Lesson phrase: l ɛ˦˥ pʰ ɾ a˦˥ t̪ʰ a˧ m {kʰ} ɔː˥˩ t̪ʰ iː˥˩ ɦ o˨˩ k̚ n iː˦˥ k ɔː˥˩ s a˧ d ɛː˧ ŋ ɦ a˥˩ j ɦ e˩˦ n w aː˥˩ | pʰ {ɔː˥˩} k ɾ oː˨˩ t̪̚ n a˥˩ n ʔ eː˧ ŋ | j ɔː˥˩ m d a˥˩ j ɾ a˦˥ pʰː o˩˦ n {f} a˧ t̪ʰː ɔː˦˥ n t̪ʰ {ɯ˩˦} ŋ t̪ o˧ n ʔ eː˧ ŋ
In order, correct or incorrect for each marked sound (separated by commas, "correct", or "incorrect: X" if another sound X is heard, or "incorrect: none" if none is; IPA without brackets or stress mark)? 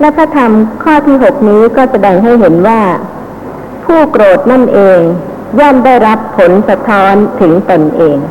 correct, incorrect: uː˥˩, incorrect: s, correct